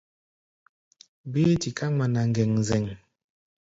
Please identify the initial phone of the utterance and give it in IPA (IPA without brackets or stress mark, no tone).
b